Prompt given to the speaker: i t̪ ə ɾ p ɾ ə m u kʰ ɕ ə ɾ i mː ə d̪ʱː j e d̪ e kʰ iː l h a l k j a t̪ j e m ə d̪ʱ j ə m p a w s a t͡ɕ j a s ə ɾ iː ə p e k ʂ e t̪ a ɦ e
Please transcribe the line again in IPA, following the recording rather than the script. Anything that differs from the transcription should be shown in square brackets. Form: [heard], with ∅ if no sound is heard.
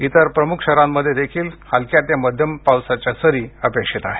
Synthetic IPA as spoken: i t̪ ə ɾ p ɾ ə m u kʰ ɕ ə ɾ [a] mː ə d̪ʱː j e d̪ e kʰ iː l h a l k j a t̪ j [a] m ə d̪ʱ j ə m p a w s a t͡ɕ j a s ə ɾ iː ə p e k ʂ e t̪ a ɦ e